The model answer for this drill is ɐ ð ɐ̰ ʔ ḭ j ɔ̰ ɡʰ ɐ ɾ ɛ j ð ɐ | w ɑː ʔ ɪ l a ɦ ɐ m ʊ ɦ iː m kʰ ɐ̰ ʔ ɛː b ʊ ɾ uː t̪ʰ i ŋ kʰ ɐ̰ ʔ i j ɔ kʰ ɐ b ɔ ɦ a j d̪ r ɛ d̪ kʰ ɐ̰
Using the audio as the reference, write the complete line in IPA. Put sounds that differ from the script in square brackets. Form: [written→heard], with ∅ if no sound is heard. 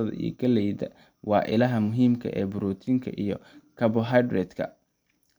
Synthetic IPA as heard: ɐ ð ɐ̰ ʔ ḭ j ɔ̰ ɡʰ ɐ [ɾ→l] ɛ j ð ɐ | w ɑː ʔ ɪ l [a→ɐ] ɦ ɐ m ʊ ɦ iː m kʰ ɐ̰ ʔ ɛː b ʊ ɾ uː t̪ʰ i ŋ kʰ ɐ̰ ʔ i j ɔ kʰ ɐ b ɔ ɦ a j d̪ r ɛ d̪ kʰ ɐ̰